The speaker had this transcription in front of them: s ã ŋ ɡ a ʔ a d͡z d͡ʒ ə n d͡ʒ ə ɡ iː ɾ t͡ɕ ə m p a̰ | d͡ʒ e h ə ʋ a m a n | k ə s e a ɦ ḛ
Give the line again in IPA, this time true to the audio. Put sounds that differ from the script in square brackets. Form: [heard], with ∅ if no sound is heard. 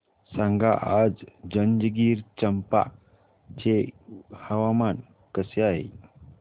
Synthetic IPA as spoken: s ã ŋ ɡ a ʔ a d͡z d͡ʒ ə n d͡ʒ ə ɡ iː ɾ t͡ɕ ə m p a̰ | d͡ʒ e h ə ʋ a m a n | k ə s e a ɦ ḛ